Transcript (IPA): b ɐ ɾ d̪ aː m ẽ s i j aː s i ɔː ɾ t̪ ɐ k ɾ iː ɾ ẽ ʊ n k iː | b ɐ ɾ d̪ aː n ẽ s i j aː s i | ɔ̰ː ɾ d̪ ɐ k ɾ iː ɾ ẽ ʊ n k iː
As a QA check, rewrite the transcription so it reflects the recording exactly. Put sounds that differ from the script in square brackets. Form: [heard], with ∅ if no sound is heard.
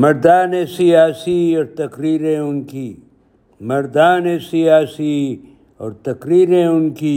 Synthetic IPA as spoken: [m] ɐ ɾ d̪ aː [n] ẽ s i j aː s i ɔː ɾ t̪ ɐ k ɾ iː ɾ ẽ ʊ n k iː | [m] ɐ ɾ d̪ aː n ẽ s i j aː s i | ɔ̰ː ɾ [t̪] ɐ k ɾ iː ɾ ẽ ʊ n k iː